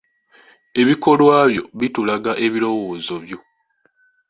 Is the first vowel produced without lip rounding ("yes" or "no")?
yes